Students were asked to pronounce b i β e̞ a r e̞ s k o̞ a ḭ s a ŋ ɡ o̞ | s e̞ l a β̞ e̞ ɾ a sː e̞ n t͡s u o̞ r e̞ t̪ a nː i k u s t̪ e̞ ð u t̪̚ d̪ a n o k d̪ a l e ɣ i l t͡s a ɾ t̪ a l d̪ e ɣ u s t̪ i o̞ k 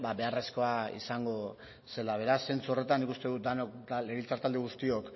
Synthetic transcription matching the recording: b a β e̞ a r e̞ s k o̞ a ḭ s a ŋ ɡ o̞ | s e̞ l a β̞ e̞ ɾ a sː e̞ n t͡s u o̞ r e̞ t̪ a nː i k u s t̪ e̞ ð u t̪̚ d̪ a n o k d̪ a l e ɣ i l t͡s a ɾ t̪ a l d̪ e ɣ u s t̪ i o̞ k